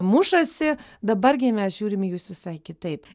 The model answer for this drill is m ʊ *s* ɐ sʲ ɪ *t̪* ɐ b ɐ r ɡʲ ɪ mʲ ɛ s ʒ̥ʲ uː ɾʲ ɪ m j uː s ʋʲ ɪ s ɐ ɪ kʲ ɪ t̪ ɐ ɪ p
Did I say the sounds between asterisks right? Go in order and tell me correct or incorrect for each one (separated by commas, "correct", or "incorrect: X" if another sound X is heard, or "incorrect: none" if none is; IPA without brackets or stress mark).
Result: incorrect: ʃ, incorrect: d̪